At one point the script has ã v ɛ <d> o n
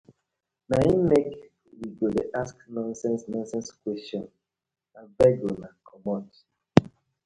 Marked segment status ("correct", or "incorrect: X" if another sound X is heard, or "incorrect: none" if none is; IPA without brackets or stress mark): incorrect: ɡ